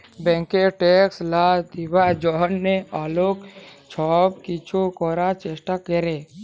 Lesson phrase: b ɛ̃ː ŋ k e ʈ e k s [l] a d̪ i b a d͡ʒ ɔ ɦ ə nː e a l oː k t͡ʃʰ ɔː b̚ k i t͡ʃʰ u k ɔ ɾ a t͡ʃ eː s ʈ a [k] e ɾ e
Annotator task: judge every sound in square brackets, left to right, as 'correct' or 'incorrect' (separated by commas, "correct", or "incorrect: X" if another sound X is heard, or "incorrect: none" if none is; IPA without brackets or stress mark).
correct, correct